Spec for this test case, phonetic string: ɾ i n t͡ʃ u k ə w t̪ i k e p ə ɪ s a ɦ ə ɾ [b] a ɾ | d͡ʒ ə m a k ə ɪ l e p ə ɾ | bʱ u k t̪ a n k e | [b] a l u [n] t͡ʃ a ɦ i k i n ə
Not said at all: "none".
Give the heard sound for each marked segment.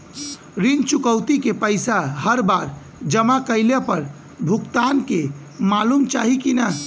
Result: b, m, m

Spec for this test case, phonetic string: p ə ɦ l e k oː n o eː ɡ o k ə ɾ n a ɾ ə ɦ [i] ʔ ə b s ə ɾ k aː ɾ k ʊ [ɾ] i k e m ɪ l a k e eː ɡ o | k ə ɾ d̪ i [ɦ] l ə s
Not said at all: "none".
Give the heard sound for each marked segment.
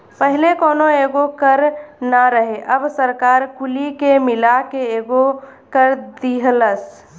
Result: e, l, ɦ

